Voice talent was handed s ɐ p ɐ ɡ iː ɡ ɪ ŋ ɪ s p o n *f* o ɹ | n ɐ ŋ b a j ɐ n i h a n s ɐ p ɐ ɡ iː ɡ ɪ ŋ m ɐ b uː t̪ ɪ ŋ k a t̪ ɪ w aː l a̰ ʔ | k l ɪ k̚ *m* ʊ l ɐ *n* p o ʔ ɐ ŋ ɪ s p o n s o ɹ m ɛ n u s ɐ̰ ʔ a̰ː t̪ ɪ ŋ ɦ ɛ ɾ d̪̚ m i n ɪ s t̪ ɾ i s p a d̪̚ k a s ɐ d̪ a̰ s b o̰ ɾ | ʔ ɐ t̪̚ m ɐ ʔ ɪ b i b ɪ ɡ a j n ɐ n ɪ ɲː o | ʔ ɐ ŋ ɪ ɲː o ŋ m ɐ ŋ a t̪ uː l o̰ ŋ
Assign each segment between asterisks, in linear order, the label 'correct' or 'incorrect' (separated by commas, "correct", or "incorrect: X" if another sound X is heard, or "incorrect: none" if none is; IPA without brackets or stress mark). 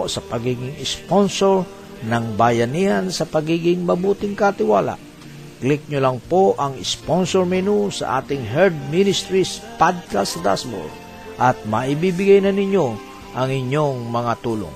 incorrect: s, incorrect: ɲ, incorrect: ŋ